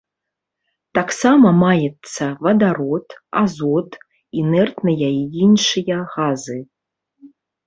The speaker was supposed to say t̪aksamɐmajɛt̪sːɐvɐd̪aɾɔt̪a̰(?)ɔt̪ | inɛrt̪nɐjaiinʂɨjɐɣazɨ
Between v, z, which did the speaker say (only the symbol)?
z